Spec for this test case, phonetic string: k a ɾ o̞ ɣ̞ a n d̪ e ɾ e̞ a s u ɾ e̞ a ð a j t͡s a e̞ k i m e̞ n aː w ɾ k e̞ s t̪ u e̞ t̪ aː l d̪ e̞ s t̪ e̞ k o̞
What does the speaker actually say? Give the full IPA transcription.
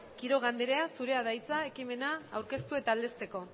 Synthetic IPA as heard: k i ɾ o̞ ɣ̞ a n d̪ e ɾ e̞ a s u ɾ e̞ a ð a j t͡s a e̞ k i m e̞ n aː w ɾ k e̞ s t̪ u e̞ t̪ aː l d̪ e̞ s t̪ e̞ k o̞